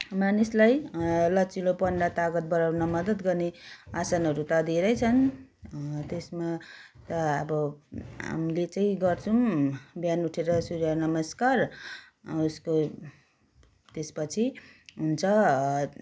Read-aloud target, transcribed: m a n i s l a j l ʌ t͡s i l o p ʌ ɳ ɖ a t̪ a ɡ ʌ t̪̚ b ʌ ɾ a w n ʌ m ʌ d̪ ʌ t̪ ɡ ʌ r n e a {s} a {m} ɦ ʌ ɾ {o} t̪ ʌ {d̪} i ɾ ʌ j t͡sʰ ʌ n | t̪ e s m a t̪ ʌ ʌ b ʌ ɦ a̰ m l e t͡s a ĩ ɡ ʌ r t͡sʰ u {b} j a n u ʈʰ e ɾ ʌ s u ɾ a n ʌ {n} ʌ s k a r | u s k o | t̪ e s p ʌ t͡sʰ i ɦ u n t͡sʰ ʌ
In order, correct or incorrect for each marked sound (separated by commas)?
correct, incorrect, incorrect, correct, correct, incorrect